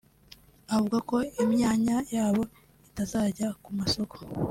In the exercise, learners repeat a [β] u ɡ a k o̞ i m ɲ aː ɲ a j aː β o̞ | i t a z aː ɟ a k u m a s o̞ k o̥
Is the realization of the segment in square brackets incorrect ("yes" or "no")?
yes